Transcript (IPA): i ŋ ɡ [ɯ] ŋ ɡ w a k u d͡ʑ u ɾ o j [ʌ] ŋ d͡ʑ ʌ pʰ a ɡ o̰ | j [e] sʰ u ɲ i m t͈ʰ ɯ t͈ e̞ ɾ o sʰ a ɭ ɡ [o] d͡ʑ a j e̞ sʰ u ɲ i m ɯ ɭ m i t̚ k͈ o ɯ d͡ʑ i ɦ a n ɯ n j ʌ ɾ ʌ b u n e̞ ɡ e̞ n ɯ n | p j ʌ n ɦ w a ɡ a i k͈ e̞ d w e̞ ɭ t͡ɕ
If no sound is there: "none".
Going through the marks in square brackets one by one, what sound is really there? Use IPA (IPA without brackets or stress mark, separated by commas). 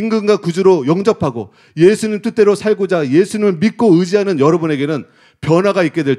ɯ, ʌ, e, o